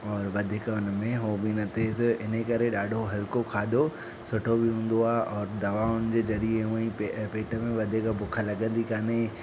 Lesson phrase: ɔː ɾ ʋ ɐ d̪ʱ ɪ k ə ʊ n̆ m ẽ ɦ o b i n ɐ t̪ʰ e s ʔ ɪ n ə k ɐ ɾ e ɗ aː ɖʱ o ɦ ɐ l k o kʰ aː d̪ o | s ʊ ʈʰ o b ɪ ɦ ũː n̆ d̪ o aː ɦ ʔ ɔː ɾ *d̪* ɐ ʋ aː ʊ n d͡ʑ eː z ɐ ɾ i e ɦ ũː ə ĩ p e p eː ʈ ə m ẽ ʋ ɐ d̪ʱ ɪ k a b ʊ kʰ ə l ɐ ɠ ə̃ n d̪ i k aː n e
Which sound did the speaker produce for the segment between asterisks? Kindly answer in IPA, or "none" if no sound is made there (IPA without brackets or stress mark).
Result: d̪